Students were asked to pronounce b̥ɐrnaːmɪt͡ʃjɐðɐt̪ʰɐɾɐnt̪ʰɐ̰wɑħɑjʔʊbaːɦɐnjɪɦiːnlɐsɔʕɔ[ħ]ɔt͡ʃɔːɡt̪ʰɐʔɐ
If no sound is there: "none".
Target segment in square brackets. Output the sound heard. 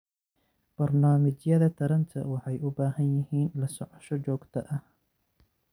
ʃ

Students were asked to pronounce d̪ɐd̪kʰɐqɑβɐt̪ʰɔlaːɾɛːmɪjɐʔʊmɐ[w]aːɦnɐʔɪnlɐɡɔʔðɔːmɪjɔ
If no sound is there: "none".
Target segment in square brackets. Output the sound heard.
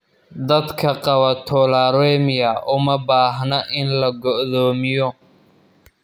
b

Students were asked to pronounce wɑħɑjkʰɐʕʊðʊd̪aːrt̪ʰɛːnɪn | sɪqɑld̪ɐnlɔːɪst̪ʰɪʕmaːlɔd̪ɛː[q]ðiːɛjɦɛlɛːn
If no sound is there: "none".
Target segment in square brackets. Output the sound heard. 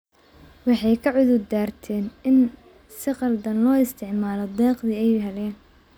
q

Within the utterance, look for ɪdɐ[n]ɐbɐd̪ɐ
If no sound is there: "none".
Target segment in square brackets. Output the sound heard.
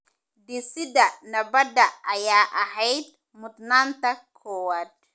n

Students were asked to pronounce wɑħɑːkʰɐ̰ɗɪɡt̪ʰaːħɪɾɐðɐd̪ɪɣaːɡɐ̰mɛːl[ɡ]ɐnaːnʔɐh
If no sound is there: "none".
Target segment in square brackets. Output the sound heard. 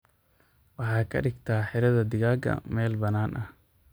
b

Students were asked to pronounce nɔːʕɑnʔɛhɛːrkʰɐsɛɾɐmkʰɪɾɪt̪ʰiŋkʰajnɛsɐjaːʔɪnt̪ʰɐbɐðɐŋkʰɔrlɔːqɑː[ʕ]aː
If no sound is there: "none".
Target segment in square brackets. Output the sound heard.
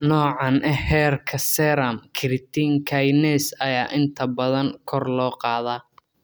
ð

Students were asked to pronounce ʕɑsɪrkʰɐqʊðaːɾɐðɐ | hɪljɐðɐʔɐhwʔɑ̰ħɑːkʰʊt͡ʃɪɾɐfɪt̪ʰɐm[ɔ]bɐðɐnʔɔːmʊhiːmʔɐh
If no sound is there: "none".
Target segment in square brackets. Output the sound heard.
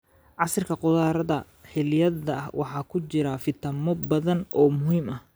ɔ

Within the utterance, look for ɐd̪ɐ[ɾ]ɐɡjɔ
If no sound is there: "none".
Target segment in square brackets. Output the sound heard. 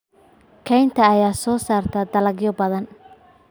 l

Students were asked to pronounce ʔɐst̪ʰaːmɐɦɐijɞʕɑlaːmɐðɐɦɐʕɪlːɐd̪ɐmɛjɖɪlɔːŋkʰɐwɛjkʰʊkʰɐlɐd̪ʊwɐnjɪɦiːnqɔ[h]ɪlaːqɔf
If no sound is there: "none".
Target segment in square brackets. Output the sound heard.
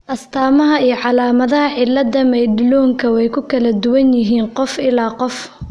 f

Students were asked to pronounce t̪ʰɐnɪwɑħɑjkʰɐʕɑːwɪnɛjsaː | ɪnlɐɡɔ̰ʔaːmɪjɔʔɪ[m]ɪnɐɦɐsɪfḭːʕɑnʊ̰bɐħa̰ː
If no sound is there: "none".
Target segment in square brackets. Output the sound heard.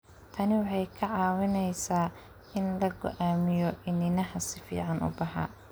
n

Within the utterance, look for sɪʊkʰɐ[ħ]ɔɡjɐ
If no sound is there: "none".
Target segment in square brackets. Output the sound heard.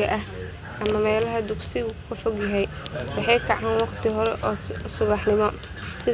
f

